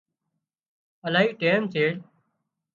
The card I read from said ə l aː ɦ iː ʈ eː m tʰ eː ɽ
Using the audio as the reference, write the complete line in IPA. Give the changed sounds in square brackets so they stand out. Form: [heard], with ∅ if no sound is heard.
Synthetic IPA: ə l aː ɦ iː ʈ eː m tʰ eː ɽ

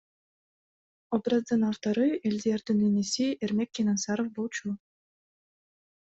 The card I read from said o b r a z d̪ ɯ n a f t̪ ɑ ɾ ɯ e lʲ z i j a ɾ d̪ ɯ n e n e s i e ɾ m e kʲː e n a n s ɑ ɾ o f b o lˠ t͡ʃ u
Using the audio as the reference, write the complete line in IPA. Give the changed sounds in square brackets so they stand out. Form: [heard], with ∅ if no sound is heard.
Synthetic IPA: o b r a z d̪ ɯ n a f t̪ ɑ ɾ ɯ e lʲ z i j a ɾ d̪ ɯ n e n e s i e ɾ m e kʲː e n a n s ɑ ɾ o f b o lˠ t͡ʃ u

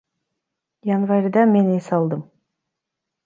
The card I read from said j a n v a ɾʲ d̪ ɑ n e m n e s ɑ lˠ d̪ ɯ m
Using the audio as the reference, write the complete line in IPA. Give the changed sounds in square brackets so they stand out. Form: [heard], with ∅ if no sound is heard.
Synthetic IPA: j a n v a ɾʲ d̪ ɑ [m] e [∅] n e s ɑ lˠ d̪ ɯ m

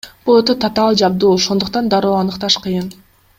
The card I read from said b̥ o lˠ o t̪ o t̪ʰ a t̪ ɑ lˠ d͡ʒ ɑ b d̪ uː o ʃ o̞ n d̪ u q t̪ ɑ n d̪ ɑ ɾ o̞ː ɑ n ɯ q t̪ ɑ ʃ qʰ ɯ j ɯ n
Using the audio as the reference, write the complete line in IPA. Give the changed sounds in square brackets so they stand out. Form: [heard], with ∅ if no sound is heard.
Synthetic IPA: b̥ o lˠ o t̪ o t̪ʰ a t̪ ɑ lˠ d͡ʒ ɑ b d̪ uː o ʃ o̞ n d̪ u q t̪ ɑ n d̪ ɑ ɾ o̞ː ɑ n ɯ q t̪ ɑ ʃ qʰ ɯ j ɯ n

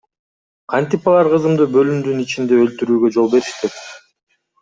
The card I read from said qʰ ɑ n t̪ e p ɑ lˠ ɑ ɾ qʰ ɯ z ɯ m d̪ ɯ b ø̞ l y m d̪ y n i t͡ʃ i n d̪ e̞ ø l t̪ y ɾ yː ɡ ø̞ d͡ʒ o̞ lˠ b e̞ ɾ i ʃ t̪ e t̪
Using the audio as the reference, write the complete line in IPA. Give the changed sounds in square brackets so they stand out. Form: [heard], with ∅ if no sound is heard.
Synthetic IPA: qʰ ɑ n t̪ [i] p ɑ lˠ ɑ ɾ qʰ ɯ z ɯ m d̪ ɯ b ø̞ l y m d̪ y n i t͡ʃ i n d̪ e̞ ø l t̪ y ɾ yː ɡ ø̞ d͡ʒ o̞ lˠ b e̞ ɾ i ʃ t̪ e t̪

